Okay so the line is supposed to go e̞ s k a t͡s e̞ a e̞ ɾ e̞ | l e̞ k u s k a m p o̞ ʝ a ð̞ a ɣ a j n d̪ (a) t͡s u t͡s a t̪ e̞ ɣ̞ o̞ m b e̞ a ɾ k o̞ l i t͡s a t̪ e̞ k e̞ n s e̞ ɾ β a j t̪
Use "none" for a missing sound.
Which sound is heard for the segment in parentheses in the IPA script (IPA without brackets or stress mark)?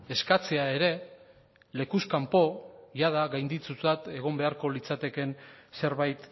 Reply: i